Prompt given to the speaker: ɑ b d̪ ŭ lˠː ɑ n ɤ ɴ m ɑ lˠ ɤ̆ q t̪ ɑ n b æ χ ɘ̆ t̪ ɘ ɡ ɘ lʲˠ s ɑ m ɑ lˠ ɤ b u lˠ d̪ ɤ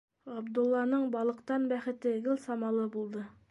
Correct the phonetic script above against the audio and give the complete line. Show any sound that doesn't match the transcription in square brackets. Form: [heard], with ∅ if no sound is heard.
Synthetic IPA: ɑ b d̪ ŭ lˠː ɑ n ɤ ɴ [b] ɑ lˠ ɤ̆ q t̪ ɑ n b æ χ ɘ̆ t̪ ɘ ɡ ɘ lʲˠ s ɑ m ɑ lˠ ɤ b u lˠ d̪ ɤ